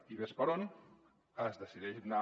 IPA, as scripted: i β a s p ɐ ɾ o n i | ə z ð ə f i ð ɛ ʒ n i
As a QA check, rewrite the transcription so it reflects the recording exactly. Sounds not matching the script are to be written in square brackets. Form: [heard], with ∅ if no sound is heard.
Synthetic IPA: i β [e] s p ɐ ɾ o n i | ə z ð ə [s] i ð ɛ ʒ n [a]